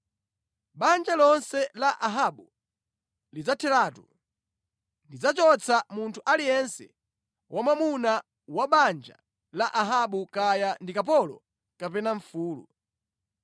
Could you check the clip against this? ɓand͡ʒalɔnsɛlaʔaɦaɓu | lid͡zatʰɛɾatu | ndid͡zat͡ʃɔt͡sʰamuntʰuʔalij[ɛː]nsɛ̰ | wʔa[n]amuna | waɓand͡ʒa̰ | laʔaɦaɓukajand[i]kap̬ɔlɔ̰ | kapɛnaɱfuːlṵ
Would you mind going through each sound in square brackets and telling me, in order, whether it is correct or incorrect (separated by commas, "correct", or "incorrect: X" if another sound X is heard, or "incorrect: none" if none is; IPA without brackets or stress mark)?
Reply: incorrect: ɛ, incorrect: m, correct